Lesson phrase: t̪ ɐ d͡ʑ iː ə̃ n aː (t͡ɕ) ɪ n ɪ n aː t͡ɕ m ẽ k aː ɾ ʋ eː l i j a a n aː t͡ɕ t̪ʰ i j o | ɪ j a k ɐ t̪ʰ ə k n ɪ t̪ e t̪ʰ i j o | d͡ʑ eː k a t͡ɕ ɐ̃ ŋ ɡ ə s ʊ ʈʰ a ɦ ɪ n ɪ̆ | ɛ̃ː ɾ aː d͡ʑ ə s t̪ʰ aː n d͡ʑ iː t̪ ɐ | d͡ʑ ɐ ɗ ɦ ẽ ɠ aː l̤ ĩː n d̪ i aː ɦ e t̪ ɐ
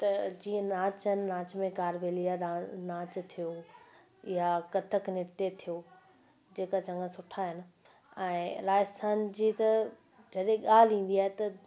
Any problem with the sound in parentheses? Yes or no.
no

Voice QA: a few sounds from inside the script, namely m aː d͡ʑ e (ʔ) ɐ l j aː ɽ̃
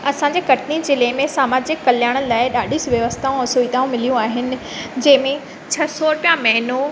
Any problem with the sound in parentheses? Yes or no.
yes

